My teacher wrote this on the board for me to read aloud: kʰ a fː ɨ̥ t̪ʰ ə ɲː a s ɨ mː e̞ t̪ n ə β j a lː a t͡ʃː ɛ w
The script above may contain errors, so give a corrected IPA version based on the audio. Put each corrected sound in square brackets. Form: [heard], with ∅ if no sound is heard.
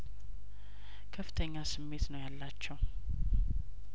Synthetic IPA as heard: kʰ [ə] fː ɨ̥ t̪ʰ ə ɲː a s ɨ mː e̞ t̪ n ə [w] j a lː a t͡ʃː ɛ w